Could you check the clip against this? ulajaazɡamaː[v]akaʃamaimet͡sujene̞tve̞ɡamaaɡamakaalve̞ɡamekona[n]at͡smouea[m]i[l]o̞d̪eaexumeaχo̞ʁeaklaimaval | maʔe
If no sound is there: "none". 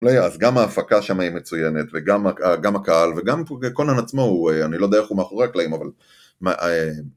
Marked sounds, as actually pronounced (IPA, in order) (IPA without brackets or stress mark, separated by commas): f, n, n, l